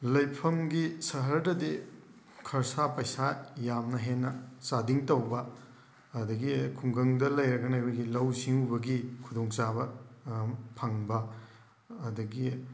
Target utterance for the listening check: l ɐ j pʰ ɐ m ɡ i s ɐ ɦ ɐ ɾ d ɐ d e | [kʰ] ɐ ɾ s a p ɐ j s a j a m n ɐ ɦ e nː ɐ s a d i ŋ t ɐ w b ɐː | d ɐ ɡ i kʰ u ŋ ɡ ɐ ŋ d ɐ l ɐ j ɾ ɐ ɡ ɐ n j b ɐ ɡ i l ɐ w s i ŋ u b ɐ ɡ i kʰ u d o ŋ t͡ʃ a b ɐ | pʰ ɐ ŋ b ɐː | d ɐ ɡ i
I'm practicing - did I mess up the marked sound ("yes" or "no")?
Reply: no